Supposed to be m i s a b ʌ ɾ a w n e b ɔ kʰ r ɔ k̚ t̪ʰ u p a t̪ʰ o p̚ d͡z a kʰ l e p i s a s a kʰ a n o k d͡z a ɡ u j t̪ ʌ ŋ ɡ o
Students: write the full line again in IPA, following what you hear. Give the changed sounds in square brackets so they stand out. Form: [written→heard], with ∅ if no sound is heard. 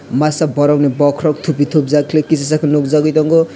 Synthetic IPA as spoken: m [i→a] s a b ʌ ɾ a w n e b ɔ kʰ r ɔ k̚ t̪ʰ u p [a→i] t̪ʰ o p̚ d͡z a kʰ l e [p→k] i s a s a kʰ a n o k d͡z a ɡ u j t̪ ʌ ŋ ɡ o